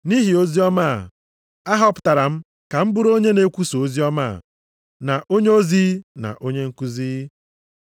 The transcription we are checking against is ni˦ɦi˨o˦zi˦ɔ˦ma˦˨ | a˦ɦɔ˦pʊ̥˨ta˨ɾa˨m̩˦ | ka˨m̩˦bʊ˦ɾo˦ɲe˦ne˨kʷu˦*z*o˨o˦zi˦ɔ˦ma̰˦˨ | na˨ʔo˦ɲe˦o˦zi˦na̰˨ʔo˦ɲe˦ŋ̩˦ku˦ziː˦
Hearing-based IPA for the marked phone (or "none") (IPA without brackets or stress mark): s